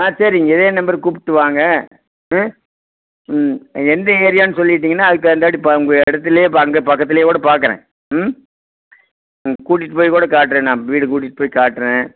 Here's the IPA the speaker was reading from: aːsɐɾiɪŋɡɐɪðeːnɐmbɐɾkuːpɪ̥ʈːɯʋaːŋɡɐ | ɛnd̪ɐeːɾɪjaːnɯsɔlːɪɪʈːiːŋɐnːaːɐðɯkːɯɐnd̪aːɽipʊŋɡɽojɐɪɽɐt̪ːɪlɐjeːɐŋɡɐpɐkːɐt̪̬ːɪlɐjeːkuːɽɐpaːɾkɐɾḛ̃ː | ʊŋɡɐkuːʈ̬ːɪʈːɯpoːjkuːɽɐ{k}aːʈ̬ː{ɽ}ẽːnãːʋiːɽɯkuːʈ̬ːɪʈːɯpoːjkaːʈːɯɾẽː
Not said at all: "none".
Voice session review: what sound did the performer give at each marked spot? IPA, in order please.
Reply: k, ɾ

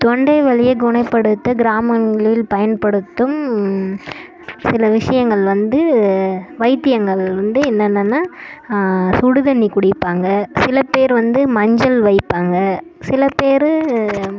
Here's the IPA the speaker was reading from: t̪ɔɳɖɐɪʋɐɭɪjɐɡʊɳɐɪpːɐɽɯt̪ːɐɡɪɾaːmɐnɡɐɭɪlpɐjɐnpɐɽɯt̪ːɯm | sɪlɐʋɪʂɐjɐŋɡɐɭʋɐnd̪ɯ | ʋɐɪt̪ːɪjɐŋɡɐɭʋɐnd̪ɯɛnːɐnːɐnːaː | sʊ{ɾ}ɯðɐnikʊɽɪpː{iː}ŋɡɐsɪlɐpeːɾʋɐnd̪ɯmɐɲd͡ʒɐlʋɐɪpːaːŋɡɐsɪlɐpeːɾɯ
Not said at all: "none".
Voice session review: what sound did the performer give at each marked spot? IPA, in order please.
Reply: ɽ, aː

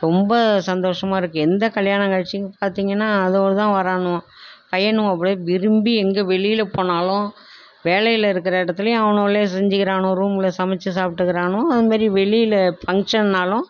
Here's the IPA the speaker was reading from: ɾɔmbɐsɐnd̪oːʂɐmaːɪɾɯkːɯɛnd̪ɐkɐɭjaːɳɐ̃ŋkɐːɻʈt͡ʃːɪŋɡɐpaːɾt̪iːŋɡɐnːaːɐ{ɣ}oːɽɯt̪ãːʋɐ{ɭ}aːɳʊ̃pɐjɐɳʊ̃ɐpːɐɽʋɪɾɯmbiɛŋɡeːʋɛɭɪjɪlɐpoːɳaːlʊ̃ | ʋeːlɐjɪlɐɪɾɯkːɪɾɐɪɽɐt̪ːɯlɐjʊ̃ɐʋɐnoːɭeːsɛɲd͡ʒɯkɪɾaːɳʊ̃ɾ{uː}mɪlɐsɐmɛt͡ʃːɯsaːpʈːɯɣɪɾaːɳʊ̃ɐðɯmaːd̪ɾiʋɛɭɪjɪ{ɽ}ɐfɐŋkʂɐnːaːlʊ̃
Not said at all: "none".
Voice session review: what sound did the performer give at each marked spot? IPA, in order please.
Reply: ð, ɾ, uː, l

